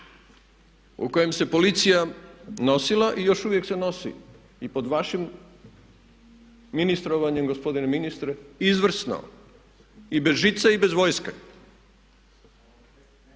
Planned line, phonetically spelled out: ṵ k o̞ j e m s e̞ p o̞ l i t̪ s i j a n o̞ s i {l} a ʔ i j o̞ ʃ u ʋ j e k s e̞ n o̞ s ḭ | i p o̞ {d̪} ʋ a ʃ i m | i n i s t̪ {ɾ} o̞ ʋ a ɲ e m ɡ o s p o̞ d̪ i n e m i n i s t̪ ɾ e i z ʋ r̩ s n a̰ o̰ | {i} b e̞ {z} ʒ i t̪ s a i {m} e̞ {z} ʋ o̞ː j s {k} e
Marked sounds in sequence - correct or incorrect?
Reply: correct, correct, correct, correct, correct, incorrect, correct, correct

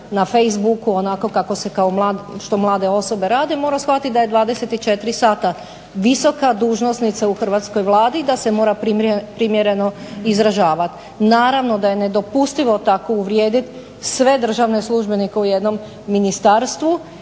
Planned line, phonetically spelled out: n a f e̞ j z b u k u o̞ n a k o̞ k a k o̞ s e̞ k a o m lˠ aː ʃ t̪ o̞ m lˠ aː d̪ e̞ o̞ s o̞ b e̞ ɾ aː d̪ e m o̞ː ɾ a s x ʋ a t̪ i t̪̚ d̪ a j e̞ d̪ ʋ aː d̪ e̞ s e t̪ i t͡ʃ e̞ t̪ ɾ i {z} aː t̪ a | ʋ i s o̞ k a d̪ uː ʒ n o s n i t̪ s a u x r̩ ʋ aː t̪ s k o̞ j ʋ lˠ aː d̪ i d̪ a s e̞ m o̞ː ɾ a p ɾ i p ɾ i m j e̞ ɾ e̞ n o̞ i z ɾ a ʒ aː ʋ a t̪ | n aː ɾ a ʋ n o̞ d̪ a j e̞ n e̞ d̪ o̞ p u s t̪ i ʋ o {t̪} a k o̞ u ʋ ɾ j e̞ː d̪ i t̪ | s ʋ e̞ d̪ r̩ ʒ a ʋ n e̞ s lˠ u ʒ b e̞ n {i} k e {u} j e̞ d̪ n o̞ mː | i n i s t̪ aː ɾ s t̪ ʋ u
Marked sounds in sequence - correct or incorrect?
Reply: incorrect, correct, correct, correct

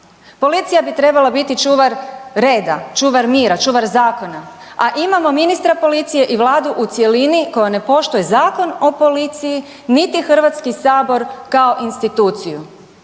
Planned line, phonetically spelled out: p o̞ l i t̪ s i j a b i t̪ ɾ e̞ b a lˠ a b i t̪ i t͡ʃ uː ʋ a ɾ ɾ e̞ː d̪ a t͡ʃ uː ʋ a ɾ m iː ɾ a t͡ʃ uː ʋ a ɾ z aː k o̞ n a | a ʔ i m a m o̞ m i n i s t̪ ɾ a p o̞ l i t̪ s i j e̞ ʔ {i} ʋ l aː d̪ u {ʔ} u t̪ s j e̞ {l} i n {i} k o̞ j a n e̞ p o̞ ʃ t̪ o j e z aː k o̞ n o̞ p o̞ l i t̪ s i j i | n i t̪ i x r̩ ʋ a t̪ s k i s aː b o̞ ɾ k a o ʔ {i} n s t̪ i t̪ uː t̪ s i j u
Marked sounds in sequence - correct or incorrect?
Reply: correct, correct, correct, correct, correct

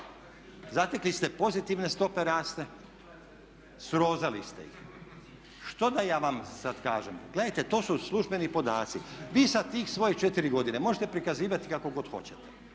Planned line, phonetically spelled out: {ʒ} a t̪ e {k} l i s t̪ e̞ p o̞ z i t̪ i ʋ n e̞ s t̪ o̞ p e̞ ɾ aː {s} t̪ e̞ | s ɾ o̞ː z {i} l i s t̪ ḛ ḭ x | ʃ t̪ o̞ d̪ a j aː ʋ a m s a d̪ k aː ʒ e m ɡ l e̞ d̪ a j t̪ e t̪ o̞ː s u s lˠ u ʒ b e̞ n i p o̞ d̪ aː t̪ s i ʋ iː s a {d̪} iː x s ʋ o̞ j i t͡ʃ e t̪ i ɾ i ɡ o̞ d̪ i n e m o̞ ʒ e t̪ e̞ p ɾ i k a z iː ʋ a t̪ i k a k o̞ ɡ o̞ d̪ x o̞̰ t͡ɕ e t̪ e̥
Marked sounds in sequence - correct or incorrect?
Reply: incorrect, correct, correct, incorrect, incorrect

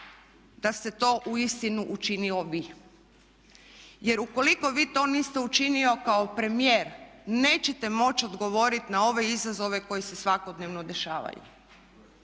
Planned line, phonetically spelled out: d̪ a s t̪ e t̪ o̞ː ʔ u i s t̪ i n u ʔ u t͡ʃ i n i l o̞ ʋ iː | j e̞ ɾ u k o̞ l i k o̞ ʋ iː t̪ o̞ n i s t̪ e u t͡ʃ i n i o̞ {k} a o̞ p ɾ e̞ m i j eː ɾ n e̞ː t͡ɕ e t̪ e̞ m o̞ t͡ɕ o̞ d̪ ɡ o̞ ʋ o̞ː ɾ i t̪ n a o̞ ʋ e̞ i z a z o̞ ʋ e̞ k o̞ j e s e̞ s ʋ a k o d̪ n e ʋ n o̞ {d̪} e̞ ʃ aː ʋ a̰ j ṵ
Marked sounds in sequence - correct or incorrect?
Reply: correct, correct

